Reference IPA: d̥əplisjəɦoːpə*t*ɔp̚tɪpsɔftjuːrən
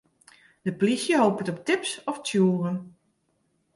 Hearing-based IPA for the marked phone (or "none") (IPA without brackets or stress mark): t